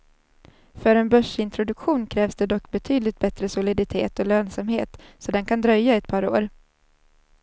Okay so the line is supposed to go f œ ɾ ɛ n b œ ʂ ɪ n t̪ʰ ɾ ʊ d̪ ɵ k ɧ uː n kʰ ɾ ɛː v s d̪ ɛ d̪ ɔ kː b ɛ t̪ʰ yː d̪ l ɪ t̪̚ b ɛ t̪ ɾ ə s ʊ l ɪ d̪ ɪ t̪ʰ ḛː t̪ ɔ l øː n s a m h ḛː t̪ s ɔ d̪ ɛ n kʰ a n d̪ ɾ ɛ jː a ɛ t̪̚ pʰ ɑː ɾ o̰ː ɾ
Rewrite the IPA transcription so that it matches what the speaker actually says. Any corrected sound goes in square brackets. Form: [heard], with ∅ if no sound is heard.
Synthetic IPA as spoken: f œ ɾ ɛ n b œ ʂ ɪ n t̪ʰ ɾ ʊ d̪ ɵ k ɧ uː n kʰ ɾ ɛː v s d̪ ɛ d̪ ɔ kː b ɛ t̪ʰ yː d̪ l ɪ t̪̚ b ɛ t̪ ɾ ə s ʊ l ɪ d̪ ɪ t̪ʰ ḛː t̪ ɔ l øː n s a m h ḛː t̪ s ɔ d̪ ɛ n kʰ a n d̪ ɾ [œ] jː a ɛ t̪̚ pʰ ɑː ɾ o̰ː ɾ